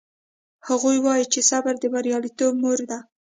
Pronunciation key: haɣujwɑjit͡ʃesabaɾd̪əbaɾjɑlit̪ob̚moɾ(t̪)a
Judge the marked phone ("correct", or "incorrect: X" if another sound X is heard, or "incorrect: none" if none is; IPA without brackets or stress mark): incorrect: d̪